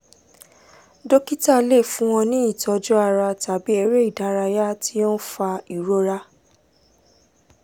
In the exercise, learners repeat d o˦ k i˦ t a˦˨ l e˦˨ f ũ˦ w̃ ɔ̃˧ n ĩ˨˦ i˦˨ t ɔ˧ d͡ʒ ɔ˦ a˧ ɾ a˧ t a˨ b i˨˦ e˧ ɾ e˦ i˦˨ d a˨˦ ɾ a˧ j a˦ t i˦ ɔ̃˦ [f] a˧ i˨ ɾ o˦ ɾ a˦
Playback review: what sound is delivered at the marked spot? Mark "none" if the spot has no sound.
f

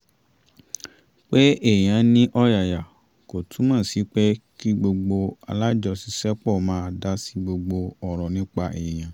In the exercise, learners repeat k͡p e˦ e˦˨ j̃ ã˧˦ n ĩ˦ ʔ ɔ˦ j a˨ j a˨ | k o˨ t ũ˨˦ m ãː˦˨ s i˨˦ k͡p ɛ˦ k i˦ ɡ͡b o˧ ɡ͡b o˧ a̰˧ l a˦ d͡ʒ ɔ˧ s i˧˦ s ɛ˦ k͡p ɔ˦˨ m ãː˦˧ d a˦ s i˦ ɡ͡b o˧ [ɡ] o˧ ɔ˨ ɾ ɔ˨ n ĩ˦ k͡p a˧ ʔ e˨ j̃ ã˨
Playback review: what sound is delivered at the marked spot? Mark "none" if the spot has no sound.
ɡ͡b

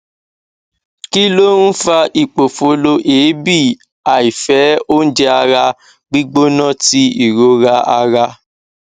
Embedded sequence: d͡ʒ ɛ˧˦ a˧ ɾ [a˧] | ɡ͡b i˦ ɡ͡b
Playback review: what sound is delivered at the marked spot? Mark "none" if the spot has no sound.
a˧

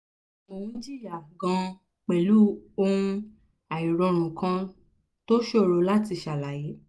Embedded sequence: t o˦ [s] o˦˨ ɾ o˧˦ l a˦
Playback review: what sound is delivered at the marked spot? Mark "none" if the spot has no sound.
ʃ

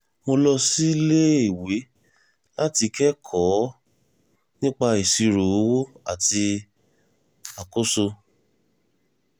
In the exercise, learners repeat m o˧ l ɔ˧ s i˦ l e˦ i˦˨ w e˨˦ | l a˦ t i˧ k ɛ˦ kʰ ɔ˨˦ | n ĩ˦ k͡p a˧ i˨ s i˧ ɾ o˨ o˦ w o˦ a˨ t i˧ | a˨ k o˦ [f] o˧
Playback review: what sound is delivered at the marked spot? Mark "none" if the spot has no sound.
s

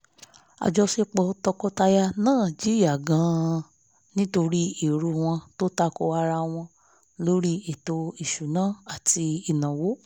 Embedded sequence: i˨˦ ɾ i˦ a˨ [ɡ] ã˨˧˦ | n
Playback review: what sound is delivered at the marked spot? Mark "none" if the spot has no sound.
ɡ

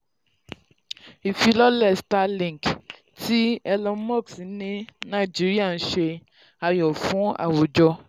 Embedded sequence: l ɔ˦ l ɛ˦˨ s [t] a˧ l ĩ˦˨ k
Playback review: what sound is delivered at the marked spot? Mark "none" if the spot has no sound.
t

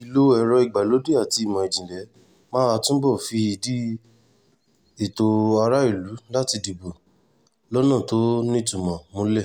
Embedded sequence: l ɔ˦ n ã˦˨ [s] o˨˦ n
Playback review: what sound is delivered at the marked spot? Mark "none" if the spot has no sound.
t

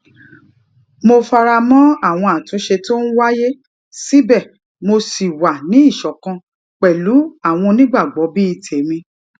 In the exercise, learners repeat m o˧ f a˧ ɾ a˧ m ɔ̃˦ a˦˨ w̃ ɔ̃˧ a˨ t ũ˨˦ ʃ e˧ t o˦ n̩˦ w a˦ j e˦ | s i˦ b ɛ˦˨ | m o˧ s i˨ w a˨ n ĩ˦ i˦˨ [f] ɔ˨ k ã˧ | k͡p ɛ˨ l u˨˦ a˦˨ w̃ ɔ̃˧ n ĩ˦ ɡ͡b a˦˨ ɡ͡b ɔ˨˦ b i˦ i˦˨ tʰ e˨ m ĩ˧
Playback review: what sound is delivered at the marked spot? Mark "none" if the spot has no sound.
ʃ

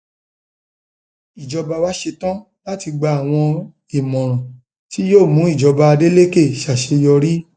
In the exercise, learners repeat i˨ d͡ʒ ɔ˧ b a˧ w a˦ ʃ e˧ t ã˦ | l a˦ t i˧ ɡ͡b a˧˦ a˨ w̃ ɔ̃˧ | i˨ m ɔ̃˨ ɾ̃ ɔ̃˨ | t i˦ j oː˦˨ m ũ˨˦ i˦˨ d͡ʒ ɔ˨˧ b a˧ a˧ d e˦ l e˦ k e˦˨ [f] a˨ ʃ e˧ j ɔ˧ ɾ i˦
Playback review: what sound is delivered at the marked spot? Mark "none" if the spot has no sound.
ʃ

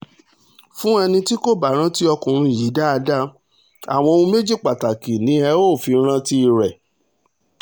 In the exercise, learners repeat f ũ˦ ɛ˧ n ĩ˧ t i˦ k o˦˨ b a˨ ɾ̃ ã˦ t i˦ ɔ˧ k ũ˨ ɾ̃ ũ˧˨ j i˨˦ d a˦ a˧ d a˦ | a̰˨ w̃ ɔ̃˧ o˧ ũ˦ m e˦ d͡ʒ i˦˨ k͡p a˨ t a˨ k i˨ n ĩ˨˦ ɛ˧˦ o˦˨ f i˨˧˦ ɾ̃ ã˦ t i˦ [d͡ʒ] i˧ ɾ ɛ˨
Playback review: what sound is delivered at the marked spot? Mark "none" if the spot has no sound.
none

